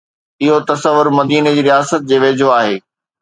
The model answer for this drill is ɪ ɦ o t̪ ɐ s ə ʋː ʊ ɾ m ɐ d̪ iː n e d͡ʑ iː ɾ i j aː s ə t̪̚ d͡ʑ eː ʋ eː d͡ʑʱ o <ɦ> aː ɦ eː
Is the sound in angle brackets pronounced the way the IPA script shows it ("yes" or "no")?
no